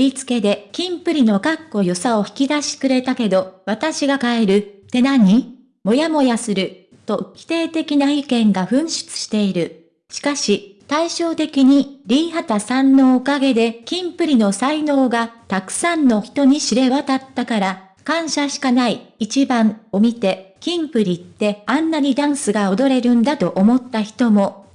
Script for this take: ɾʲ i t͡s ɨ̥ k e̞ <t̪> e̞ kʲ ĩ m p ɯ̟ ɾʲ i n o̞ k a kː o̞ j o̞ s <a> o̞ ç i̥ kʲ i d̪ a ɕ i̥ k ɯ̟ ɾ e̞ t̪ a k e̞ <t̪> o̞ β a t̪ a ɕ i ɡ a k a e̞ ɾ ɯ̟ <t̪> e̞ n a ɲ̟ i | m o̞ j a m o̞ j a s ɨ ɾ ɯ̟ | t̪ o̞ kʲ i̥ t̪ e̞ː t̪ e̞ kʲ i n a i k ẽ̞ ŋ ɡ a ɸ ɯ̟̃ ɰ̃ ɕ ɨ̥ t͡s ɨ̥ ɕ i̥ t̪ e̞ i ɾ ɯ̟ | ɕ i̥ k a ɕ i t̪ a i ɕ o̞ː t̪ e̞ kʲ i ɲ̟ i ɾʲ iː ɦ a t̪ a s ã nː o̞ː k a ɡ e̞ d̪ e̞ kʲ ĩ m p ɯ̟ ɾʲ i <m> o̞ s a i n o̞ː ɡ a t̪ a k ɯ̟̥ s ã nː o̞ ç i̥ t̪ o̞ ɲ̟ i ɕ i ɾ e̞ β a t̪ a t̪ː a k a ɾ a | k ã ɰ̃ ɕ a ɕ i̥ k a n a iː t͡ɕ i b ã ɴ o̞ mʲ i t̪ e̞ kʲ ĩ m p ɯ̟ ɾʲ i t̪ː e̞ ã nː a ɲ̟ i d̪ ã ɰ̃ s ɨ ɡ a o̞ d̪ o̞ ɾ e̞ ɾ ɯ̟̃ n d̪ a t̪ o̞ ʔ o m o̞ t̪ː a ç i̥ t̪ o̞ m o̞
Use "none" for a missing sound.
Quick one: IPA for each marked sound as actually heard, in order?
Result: d̪, a, d̪, t̪, n

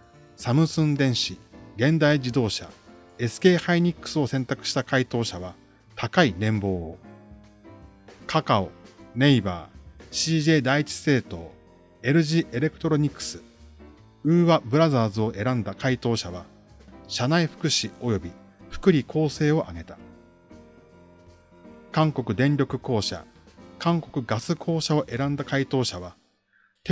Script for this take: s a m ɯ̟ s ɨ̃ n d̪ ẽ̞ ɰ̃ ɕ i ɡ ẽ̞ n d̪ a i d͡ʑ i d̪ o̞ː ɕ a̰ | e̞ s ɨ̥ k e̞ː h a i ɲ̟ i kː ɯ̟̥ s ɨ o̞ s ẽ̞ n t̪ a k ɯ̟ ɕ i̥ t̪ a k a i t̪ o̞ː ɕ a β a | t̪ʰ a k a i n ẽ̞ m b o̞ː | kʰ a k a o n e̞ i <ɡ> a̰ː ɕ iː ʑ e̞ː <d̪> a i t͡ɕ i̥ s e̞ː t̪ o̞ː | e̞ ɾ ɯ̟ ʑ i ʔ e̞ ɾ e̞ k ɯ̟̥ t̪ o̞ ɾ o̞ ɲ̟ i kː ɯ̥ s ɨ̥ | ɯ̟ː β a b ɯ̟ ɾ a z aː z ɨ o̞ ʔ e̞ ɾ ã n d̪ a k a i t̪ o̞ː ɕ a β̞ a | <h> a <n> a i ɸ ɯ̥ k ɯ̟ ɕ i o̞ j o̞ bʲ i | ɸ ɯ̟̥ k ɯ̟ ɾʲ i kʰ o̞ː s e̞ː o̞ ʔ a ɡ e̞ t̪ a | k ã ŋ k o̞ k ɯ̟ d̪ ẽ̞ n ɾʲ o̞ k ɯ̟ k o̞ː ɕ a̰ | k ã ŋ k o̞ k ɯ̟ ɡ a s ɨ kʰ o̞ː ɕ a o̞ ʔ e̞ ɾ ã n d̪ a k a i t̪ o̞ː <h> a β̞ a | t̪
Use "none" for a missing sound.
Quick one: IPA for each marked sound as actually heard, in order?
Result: b, d̪, ɕ, n, ɕ

